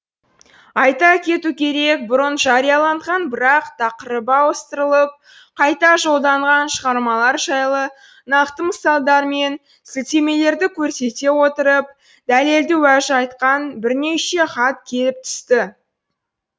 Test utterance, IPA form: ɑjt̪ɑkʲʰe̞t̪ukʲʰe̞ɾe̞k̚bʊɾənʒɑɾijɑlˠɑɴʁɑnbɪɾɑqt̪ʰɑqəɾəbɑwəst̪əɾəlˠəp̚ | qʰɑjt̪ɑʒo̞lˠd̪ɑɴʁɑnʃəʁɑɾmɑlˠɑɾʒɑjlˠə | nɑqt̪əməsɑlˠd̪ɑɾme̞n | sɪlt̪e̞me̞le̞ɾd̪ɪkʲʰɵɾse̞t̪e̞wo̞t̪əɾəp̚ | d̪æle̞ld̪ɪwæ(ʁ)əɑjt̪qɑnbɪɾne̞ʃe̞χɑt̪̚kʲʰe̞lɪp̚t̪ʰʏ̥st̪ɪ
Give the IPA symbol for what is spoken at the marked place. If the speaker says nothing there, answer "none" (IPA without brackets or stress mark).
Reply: ʒ